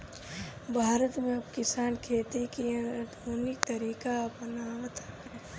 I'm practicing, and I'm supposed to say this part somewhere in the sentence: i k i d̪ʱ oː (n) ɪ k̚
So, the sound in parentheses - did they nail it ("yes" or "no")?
yes